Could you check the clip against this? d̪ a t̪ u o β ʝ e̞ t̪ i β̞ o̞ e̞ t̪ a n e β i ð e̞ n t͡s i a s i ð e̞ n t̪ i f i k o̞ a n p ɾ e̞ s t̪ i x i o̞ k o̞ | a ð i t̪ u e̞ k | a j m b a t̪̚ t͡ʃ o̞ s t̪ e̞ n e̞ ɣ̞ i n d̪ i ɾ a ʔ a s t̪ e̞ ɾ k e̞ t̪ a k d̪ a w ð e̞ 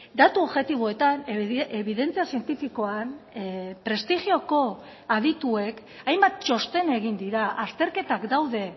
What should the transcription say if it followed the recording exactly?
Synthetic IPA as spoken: d̪ a t̪ u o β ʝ e̞ t̪ i β̞ o̞ e̞ t̪ a n e β i ð e̞ n t͡s i a s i e̞ n t̪ i f i k o̞ a n p ɾ e̞ s t̪ i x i o̞ k o̞ | a ð i t̪ u e̞ k | a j m b a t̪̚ t͡ʃ o̞ s t̪ e̞ n e̞ ɣ̞ i n d̪ i ɾ a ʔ a s t̪ e̞ ɾ k e̞ t̪ a k d̪ a w ð e̞

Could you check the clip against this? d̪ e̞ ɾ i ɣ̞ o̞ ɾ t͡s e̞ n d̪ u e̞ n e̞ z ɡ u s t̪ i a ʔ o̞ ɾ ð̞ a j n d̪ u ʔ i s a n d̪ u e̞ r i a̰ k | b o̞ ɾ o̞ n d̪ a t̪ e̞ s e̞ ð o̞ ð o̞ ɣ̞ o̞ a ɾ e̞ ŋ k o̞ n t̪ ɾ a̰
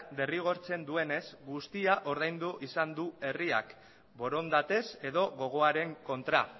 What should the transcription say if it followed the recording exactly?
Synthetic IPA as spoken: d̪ e̞ r i ɣ̞ o̞ ɾ t͡s e̞ n d̪ u e̞ n e̞ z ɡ u s t̪ i a ʔ o̞ ɾ ð̞ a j n d̪ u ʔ i s a n d̪ u e̞ r i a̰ k | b o̞ ɾ o̞ n d̪ a t̪ e̞ s e̞ ð o̞ ɣ o̞ ɣ̞ o̞ a ɾ e̞ ŋ k o̞ n t̪ ɾ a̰

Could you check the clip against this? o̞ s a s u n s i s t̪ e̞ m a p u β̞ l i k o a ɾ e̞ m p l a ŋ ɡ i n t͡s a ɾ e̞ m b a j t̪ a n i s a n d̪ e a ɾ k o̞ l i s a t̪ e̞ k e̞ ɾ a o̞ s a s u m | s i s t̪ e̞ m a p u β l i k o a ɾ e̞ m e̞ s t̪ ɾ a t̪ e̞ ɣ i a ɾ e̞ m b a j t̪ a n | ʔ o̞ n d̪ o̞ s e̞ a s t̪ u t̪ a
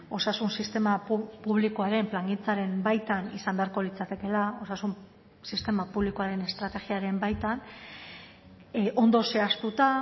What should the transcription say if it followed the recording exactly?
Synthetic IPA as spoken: o̞ s a s u n s i s t̪ e̞ m a p u β̞ l i k o a ɾ e̞ m p l a ŋ ɡ i n t͡s a ɾ e̞ m b a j t̪ a n i s a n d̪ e a ɾ k o̞ l i t͡s a t̪ e̞ k e̞ l a o̞ s a s u m | s i s t̪ e̞ m a p u β l i k o a ɾ e̞ n e̞ s t̪ ɾ a t̪ e̞ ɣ i a ɾ e̞ m b a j t̪ a n | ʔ o̞ n d̪ o̞ s e̞ a s t̪ u t̪ a

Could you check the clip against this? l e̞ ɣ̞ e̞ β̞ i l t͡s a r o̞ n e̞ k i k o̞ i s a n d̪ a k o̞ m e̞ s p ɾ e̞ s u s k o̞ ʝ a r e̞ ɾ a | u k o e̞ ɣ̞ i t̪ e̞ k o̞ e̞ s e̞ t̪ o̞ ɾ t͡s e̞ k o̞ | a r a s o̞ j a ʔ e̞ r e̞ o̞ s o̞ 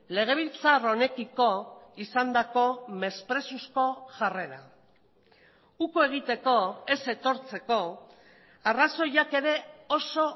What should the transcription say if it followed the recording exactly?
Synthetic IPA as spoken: l e̞ ɣ̞ e̞ β̞ i l t͡s a r o̞ n e̞ k i k o̞ i s a n d̪ a k o̞ m e̞ s p ɾ e̞ s u s k o̞ ʝ a r e̞ ɾ a | u k o e̞ ɣ̞ i t̪ e̞ k o̞ e̞ s e̞ t̪ o̞ ɾ t͡s e̞ k o̞ | a r a s o̞ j a k e̞ ɾ e̞ o̞ s o̞

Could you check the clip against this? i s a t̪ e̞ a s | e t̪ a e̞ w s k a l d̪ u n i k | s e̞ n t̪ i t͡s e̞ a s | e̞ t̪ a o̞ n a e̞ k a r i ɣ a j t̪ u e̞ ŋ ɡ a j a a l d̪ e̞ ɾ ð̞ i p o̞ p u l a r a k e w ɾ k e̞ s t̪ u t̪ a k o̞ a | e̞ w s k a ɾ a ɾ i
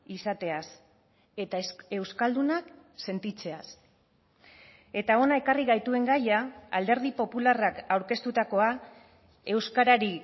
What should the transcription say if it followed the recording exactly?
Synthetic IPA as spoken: i s a t̪ e̞ a s | e t̪ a e̞ w s k a l d̪ u n a k | s e̞ n t̪ i t͡s e̞ a s | e̞ t̪ a o̞ n a e̞ k a r i ɣ a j t̪ u e̞ ŋ ɡ a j a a l d̪ e̞ ɾ ð̞ i p o̞ p u l a r a k a w ɾ k e̞ s t̪ u t̪ a k o̞ a | e̞ w s k a ɾ a ɾ i

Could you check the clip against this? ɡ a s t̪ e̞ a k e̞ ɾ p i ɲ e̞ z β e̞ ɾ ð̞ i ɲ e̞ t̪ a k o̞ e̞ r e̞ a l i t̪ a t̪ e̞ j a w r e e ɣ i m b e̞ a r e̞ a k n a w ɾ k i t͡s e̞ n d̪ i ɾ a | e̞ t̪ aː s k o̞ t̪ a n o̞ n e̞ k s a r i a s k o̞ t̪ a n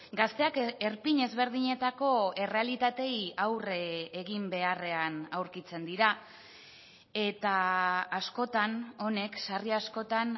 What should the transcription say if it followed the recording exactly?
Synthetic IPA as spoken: ɡ a s t̪ e̞ a k e̞ ɾ p i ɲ e̞ z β e̞ ɾ ð̞ i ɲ e̞ t̪ a k o̞ e̞ r e̞ a l i t̪ a t̪ e̞ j a w r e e ɣ i m b e̞ a r e̞ a n a w ɾ k i t͡s e̞ n d̪ i ɾ a | e̞ t̪ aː s k o̞ t̪ a n o̞ n e̞ k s a r i a s k o̞ t̪ a n

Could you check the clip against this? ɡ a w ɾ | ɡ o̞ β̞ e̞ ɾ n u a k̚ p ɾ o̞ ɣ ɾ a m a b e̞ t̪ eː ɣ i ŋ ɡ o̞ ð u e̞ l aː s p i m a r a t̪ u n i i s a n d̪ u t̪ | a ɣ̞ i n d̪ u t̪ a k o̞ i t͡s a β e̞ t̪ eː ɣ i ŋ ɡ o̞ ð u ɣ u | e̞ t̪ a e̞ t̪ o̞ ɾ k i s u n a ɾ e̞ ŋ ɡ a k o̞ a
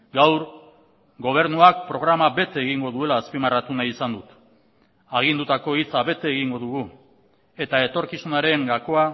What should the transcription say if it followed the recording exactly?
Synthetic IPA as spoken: ɡ a w ɾ | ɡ o̞ β̞ e̞ ɾ n u a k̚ p ɾ o̞ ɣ ɾ a m a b e̞ t̪ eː ɣ i ŋ ɡ o̞ ð u e̞ l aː s p i m a r a t̪ u n a i s a n d̪ u t̪ | a ɣ̞ i n d̪ u t̪ a k o̞ i t͡s a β e̞ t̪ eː ɣ i ŋ ɡ o̞ ð u ɣ u | e̞ t̪ a e̞ t̪ o̞ ɾ k i s u n a ɾ e̞ ŋ ɡ a k o̞ a

